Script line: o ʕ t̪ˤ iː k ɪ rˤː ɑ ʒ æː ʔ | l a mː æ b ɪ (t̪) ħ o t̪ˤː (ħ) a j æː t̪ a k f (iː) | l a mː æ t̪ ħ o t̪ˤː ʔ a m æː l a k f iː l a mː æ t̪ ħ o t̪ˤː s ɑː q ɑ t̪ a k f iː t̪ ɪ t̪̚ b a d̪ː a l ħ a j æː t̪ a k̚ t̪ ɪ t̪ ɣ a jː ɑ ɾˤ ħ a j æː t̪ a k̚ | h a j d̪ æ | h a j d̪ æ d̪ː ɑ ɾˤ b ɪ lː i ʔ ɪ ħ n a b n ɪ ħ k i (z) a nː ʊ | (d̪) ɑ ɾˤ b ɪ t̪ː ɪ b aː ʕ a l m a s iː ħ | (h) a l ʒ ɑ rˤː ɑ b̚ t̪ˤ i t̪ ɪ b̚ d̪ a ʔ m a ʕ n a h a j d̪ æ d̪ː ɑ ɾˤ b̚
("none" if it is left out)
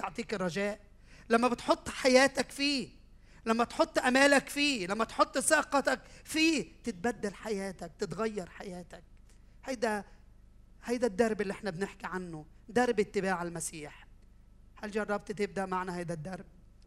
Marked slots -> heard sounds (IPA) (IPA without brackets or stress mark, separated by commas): t̪, ħ, iː, ʕ, d̪, h